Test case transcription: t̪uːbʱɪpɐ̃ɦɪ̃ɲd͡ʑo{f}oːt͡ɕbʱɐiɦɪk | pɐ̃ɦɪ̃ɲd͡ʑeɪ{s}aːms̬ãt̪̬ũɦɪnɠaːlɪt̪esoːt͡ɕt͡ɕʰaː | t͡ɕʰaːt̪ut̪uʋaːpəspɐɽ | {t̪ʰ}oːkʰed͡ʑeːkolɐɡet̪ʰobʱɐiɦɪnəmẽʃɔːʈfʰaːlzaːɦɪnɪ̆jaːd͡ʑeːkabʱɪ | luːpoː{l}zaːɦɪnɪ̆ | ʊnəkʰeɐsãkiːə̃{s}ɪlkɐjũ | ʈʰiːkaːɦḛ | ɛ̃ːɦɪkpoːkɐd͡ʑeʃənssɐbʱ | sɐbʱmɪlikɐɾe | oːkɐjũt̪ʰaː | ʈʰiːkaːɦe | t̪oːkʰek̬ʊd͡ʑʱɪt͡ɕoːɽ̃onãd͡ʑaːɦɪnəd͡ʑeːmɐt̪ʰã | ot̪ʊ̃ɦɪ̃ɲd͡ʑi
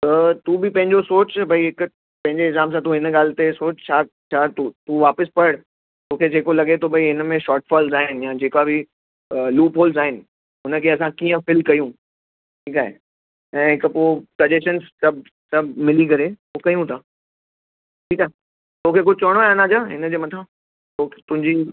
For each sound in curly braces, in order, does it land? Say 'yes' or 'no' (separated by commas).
no, no, no, yes, no